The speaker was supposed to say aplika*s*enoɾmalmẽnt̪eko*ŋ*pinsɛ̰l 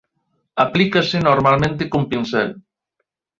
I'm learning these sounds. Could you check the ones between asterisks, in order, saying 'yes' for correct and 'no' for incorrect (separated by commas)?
yes, no